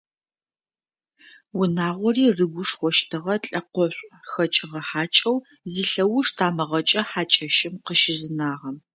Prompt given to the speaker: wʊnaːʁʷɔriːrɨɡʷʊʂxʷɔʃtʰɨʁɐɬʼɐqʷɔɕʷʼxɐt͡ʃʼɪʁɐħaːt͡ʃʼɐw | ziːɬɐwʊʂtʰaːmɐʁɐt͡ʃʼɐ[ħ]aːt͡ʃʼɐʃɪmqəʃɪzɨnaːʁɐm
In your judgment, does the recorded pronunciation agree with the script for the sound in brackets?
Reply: yes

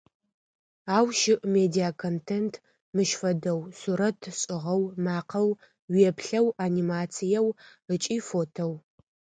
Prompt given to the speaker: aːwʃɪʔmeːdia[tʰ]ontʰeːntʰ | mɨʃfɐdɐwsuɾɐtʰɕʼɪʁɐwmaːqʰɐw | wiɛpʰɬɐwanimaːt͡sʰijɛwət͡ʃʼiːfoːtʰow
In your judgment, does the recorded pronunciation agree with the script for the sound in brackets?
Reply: no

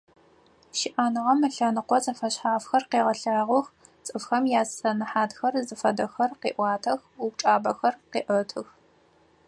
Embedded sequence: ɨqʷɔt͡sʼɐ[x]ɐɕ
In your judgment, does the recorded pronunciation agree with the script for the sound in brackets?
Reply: no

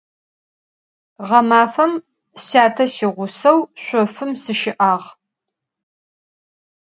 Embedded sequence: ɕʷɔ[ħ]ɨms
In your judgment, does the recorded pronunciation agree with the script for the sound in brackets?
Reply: no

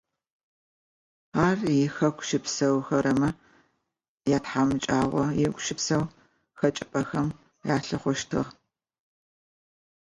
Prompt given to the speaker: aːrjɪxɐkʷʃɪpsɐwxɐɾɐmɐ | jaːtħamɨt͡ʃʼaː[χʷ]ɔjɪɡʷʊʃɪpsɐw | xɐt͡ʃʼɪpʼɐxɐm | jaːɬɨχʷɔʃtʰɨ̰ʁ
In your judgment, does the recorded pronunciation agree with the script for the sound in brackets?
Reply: no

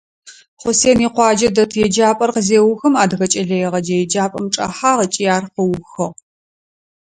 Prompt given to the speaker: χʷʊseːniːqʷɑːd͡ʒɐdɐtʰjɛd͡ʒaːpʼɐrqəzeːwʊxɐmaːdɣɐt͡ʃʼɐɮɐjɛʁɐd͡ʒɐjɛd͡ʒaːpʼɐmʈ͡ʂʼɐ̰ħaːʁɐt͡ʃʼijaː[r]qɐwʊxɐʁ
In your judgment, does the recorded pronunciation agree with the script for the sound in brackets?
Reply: yes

